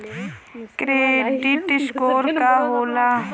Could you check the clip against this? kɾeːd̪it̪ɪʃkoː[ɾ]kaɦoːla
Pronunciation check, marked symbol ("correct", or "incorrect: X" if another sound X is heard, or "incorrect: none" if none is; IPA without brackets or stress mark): correct